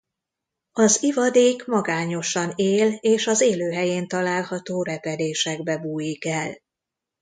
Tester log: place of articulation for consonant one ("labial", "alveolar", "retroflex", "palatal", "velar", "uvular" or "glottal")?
alveolar